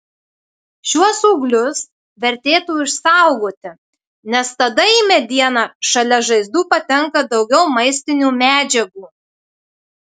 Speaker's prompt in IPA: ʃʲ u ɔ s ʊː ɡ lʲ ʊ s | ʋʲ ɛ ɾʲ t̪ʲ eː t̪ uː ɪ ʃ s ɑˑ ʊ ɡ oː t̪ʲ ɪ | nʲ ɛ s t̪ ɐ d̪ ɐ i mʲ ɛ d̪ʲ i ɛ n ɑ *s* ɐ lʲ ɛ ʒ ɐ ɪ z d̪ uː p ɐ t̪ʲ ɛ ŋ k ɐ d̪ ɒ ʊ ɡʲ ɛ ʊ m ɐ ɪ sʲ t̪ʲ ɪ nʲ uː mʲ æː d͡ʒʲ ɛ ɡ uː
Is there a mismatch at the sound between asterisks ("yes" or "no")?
yes